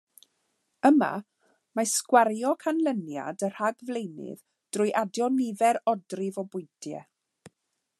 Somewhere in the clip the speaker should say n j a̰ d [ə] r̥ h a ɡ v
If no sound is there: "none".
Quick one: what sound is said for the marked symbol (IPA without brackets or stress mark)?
ə